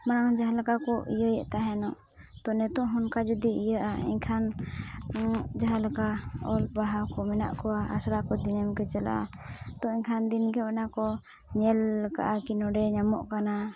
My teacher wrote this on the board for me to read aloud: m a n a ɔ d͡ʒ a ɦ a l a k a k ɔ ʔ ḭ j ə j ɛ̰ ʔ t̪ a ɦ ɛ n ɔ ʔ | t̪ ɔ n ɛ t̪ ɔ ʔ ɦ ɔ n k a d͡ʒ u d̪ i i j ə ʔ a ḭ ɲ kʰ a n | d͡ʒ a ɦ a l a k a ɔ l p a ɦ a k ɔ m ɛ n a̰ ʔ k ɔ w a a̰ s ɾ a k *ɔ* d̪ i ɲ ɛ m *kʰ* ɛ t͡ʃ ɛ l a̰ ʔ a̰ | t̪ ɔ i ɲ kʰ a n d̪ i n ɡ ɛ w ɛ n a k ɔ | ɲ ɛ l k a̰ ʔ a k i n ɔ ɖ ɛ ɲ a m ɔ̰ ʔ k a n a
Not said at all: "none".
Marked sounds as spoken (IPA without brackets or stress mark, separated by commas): ɔ, k